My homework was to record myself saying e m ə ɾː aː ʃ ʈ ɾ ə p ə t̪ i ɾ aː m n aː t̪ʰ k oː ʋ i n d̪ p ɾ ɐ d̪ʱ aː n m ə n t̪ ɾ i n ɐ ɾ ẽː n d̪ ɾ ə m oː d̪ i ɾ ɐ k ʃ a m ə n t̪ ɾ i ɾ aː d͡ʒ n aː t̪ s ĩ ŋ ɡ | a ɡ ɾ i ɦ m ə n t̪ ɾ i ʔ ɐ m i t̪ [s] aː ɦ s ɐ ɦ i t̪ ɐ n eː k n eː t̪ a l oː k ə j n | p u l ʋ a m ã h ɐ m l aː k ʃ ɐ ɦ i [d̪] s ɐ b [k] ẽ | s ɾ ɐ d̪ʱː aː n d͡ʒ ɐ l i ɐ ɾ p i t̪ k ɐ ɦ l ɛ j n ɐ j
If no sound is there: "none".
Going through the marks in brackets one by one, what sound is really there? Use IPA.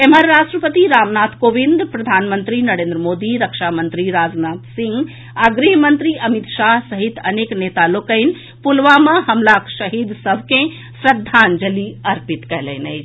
ʃ, d̪, k

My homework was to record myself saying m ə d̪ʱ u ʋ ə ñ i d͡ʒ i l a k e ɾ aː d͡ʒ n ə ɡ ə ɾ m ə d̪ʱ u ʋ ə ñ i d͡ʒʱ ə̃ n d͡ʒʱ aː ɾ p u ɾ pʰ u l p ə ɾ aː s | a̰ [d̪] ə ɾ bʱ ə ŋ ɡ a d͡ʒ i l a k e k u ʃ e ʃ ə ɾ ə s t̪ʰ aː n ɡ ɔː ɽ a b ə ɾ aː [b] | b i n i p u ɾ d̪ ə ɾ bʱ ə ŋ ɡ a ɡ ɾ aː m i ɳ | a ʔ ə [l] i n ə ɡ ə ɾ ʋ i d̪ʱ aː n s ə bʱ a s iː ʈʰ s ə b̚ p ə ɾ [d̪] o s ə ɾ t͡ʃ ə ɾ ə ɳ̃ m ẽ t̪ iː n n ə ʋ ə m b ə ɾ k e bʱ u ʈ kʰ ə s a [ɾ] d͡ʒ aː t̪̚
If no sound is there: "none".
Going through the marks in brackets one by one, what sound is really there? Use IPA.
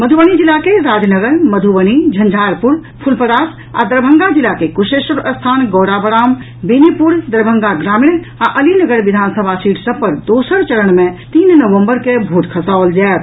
d̪, m, l, d̪, l

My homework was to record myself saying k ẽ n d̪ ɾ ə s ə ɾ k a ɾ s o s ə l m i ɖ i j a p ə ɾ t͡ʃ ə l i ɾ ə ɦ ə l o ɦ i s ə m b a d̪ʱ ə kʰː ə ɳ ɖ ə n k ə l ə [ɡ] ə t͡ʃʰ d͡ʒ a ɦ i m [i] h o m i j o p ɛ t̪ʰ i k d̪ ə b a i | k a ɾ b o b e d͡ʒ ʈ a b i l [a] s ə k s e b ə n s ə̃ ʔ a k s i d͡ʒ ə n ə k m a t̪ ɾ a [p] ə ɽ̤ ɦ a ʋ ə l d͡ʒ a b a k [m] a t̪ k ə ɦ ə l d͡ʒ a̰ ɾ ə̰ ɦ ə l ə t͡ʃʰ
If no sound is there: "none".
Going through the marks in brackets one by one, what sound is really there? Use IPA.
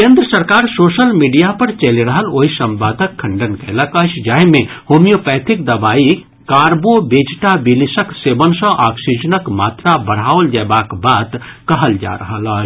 k, e, i, b, b

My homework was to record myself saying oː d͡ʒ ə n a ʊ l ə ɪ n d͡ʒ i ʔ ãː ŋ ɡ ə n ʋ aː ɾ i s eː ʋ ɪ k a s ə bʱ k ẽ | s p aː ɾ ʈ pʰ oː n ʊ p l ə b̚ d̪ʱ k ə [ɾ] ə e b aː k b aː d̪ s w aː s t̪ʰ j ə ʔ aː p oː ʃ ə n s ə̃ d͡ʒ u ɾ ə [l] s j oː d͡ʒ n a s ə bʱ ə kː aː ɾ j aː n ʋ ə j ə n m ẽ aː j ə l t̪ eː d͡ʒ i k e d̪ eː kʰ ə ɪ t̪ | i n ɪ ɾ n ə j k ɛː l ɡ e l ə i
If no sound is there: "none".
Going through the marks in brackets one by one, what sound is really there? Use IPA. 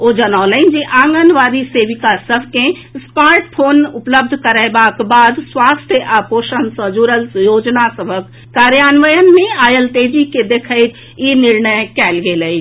ɾ, l

